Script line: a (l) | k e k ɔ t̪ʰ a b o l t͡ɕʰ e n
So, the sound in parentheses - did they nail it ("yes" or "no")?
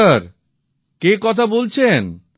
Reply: no